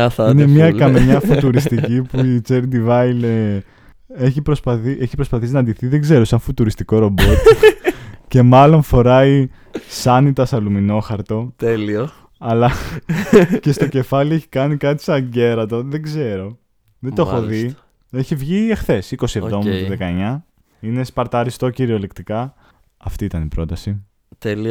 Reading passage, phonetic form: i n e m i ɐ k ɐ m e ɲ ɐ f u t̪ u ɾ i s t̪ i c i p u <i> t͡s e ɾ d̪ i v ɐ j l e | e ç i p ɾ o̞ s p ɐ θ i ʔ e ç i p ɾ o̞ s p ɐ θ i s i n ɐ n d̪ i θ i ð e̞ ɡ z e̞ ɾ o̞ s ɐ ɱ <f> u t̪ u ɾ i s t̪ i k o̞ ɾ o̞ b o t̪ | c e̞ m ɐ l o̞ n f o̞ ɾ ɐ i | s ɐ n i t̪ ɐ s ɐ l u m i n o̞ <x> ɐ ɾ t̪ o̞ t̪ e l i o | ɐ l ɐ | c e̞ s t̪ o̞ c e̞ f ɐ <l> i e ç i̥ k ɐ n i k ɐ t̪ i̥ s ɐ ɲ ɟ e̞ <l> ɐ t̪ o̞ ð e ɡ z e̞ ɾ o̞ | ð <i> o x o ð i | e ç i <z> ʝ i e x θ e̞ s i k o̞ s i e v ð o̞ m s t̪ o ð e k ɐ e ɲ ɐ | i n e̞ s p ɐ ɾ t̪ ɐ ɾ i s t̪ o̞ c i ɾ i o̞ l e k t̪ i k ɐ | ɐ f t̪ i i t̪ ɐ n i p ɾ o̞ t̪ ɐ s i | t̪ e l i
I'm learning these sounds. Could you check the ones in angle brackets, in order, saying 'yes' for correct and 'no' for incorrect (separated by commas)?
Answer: yes, yes, yes, yes, no, no, no